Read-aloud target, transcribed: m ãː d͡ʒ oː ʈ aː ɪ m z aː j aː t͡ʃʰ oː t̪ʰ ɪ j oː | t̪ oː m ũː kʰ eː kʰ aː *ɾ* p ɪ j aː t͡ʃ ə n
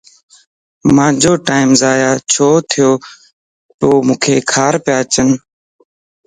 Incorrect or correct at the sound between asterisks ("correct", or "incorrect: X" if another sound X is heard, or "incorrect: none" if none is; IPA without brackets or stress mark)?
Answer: correct